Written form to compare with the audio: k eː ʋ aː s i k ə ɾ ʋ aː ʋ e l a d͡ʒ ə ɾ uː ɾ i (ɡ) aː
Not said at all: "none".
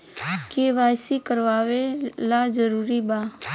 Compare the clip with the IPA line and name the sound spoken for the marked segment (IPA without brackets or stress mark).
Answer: b